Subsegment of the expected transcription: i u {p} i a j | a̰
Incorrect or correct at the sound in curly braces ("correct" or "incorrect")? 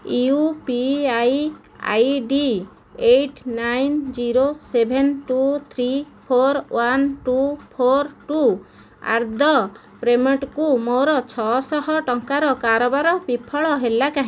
correct